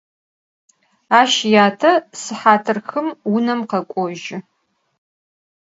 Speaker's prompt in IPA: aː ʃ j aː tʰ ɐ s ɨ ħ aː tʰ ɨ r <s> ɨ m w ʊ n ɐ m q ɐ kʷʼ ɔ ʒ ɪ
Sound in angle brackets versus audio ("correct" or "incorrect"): incorrect